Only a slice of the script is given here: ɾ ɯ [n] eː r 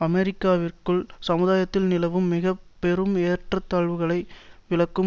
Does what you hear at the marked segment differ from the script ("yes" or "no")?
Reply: yes